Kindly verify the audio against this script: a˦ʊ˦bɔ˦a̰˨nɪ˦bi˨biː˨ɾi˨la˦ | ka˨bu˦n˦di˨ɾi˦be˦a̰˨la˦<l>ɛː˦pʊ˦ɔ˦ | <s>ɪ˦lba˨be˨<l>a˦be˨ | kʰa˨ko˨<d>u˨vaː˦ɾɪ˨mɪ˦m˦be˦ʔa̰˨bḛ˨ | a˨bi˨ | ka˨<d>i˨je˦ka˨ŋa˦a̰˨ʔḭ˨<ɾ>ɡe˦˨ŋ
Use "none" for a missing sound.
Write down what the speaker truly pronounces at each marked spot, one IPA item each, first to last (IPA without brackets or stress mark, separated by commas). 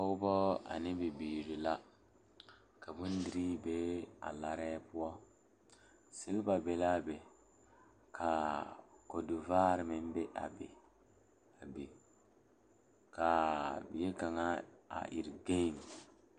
ɾ, s, l, d, b, ɾ